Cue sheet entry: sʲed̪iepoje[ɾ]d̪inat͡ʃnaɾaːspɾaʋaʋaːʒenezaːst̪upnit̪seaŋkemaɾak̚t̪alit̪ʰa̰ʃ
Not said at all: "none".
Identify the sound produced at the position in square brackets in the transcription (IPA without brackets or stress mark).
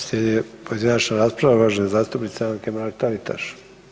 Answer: none